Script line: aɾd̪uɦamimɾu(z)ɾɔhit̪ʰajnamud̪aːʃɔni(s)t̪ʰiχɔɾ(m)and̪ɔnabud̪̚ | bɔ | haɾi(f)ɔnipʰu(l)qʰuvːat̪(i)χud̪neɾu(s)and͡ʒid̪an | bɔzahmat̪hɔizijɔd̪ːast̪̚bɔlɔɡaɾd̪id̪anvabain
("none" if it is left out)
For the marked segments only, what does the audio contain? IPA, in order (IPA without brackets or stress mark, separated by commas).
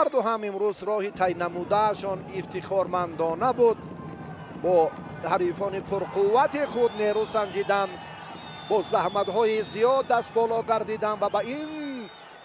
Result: z, f, m, f, ɾ, i, s